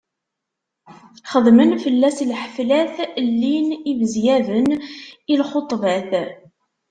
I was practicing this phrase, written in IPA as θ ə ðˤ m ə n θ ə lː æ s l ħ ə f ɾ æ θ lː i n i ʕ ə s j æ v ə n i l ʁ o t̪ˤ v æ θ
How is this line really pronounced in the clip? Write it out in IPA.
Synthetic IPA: χ ə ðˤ m ə n f ə lː æ s l ħ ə f l æ θ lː i n i v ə z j æ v ə n i l χ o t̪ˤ v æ θ